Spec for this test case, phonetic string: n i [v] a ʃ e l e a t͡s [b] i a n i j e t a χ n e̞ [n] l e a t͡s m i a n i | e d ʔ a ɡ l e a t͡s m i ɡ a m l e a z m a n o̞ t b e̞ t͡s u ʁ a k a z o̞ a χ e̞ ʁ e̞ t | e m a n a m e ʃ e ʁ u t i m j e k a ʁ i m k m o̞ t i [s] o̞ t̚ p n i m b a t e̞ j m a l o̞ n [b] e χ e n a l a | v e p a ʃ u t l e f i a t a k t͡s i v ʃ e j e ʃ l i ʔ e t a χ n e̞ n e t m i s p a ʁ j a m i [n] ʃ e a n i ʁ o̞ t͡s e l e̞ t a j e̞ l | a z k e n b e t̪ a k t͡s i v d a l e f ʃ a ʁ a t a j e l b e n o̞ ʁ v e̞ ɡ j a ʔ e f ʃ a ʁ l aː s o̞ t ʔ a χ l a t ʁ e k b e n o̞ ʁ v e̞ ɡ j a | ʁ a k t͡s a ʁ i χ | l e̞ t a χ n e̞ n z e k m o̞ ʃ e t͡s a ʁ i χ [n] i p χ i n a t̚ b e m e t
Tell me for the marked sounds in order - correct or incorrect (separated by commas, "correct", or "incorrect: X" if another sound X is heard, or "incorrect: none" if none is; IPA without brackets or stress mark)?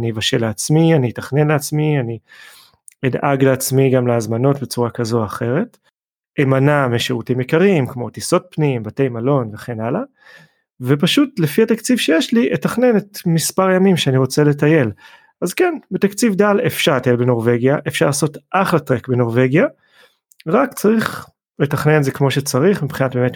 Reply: correct, incorrect: m, correct, correct, incorrect: v, incorrect: m, incorrect: m